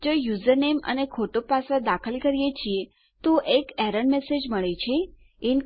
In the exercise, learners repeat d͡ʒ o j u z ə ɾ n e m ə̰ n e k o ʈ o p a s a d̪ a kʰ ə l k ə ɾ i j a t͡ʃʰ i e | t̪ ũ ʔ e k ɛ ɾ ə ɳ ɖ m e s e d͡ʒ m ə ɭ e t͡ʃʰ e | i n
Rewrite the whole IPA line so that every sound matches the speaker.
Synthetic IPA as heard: d͡ʒ o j u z ə ɾ n e m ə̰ n e kʰ o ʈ o p a s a d̪ a kʰ ə l k ə ɾ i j e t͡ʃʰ i e | t̪ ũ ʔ e k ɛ ɾ ə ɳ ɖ m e s e d͡ʒ m ə ɭ e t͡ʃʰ e | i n

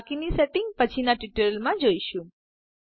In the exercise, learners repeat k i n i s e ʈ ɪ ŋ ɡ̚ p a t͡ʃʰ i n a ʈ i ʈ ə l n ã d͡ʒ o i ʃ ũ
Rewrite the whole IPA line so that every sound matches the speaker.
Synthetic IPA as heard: k i n i s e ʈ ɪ ŋ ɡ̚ p ə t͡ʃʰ i n a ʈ i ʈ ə l m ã d͡ʒ o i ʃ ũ

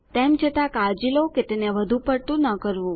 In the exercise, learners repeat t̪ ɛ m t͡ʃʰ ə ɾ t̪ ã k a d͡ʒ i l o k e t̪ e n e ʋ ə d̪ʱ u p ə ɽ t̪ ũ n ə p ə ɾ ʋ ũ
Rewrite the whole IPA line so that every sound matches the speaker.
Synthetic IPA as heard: t̪ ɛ m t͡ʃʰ ə t̪ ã k a d͡ʒ i l o k e t̪ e n e ʋ ə d̪ʱ u p ə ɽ t̪ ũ n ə k ə ɾ ʋ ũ

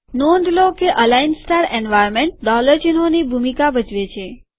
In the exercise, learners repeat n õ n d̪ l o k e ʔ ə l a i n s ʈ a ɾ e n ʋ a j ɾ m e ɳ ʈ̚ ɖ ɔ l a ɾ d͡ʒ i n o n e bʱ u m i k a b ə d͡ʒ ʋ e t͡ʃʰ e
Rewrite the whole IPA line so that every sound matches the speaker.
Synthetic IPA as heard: n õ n d̪ l o k e ʔ ə l a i n s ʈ a ɾ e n ʋ a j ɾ m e ɳ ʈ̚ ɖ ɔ l ə ɾ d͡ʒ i n o n i bʱ u m i k a b ə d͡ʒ ʋ e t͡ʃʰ e

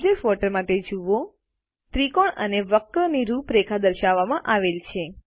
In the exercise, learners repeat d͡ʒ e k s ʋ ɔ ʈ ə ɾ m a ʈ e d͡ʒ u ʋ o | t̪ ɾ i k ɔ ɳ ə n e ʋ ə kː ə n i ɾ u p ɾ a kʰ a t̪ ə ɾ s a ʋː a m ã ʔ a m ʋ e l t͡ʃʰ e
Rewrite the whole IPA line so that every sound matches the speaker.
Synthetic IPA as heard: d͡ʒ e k s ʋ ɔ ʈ ə ɾ m a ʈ e d͡ʒ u ʋ o | t̪ ɾ i k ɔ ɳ ə n e ʋ ə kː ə n i ɾ u p ɾ e kʰ a d̪ ə ɾ ʃ a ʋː a m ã ʔ a ʋ e l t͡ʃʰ e

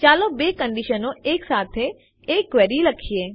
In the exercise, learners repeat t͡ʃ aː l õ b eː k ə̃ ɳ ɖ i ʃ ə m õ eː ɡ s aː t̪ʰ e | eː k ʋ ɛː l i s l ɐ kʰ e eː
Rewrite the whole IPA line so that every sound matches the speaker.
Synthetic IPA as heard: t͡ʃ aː l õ b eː k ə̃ ɳ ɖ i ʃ ə n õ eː k s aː t̪ʰ e | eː k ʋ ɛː ɾ i l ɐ kʰ i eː

